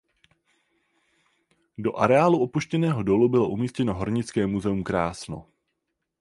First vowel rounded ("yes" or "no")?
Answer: yes